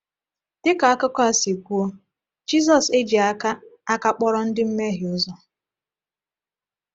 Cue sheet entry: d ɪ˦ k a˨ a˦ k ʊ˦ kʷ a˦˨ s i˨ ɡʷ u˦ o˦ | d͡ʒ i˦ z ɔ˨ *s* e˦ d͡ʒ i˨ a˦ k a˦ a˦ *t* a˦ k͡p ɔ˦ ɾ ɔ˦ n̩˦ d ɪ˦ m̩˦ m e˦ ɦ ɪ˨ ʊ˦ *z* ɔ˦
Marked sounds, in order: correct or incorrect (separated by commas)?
correct, incorrect, correct